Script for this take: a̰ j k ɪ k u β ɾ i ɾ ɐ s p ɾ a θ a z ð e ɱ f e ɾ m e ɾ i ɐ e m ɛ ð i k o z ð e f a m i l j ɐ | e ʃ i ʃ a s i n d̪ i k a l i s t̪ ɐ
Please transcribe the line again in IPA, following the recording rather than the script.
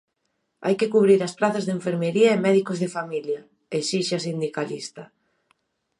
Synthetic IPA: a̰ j k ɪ k u β ɾ i ɾ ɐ s p ɾ a θ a z ð e ɱ f e ɾ m e ɾ i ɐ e m ɛ ð i k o z ð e f a m i l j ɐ | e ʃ i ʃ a s i n d̪ i k a l i s t̪ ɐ